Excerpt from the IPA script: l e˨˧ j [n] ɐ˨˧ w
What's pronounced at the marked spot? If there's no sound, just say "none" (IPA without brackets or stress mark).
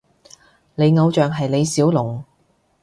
ŋ